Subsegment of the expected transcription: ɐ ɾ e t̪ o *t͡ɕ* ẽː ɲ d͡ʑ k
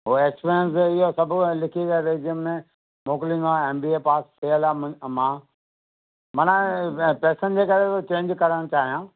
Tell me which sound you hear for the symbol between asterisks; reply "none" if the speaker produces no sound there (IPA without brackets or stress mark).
t͡ɕ